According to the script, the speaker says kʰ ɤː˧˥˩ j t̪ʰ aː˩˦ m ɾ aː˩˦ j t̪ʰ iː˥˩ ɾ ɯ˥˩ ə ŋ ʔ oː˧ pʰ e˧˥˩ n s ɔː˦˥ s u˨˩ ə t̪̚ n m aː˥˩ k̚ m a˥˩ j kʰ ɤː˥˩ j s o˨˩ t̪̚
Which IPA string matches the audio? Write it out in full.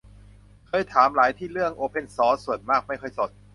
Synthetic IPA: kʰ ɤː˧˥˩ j t̪ʰ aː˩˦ m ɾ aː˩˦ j t̪ʰ iː˥˩ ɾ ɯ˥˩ ə ŋ ʔ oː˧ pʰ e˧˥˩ n s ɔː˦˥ s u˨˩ ə n m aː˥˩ k̚ m a˥˩ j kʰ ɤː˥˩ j s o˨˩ t̪̚